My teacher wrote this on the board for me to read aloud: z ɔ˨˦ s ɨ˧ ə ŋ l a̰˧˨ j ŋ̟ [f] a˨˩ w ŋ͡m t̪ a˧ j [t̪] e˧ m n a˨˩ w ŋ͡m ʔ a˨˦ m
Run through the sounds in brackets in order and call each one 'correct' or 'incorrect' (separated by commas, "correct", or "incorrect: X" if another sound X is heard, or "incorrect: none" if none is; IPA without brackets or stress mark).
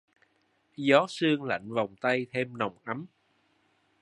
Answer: incorrect: v, incorrect: t̪ʰ